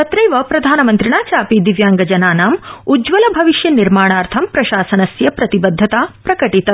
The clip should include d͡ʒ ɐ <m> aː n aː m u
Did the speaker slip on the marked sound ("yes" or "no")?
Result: yes